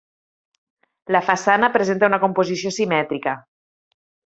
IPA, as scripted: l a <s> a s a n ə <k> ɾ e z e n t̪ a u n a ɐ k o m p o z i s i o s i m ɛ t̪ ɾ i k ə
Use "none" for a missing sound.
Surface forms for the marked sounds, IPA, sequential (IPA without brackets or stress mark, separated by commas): f, p